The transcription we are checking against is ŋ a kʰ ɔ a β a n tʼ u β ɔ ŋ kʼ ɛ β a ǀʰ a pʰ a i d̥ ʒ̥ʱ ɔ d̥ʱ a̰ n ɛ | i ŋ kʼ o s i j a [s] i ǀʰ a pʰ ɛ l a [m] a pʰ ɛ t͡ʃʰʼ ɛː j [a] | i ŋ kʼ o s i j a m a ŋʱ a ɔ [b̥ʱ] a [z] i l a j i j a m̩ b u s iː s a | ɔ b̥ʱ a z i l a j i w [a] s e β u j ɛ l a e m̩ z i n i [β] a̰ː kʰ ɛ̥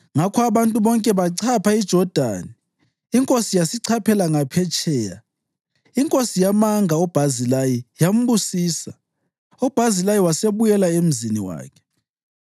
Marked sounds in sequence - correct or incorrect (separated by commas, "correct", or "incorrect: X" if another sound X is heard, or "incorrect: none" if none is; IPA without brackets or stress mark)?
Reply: correct, incorrect: ŋ, correct, correct, correct, correct, incorrect: w